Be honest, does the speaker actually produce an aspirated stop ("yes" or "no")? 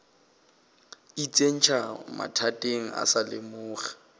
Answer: yes